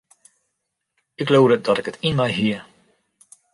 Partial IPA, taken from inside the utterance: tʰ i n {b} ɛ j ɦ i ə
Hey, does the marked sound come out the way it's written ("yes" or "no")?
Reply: no